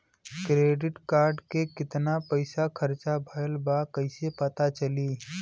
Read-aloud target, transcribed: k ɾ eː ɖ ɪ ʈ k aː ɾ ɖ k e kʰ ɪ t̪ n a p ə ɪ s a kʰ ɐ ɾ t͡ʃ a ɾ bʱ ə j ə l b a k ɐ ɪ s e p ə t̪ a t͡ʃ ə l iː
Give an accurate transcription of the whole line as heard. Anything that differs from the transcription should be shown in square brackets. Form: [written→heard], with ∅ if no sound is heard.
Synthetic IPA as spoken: k ɾ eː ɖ ɪ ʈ k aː ɾ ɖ k e [kʰ→k] ɪ t̪ n a p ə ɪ s a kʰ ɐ ɾ t͡ʃ a [ɾ→∅] bʱ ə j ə l b a k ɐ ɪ s e p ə t̪ a t͡ʃ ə l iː